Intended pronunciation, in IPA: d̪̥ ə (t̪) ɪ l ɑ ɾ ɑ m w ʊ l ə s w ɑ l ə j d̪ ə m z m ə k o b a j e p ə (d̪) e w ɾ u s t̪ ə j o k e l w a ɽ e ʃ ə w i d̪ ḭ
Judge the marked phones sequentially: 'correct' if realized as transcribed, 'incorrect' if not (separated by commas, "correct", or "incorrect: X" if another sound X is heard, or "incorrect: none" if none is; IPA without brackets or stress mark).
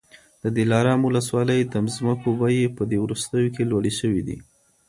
incorrect: d̪, correct